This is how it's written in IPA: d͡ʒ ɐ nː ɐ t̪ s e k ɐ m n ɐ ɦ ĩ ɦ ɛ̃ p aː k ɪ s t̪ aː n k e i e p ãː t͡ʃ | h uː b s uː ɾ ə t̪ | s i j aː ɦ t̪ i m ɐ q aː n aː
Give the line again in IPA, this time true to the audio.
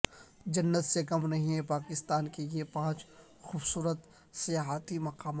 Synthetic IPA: d͡ʒ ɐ nː ə t̪ s e k ɐ m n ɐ ɦ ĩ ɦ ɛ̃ p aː k ɪ s t̪ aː n k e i e p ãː t͡ʃ | x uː b s uː ɾ ə t̪ | s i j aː ɦ t̪ i m ɐ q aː m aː